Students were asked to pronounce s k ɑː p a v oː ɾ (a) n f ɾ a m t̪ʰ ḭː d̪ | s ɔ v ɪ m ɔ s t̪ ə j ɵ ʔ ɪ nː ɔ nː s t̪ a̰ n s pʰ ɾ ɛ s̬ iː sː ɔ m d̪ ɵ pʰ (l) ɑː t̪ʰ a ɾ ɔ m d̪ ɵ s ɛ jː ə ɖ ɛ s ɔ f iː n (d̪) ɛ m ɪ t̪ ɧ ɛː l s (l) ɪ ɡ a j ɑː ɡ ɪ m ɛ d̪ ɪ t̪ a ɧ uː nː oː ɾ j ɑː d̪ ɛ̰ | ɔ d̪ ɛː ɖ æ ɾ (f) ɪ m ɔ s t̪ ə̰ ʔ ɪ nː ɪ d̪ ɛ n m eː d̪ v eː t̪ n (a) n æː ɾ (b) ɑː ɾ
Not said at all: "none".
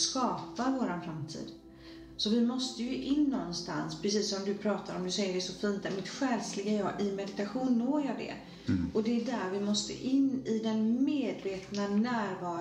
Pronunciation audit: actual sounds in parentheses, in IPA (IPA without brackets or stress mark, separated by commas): a, ɾ, t̪, l, v, a, v